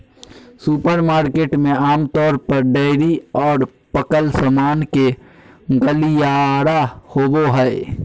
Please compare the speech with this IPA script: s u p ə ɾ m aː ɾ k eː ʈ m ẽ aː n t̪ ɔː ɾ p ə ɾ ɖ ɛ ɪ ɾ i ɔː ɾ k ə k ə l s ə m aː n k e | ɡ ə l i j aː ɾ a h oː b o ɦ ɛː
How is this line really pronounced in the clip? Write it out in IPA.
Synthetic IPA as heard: s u p ə ɾ m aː ɾ k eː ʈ m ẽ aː m t̪ ɔː ɾ p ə ɾ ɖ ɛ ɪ ɾ i ɔː ɾ p ə k ə l s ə m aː n k e | ɡ ə l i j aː ɾ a h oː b o ɦ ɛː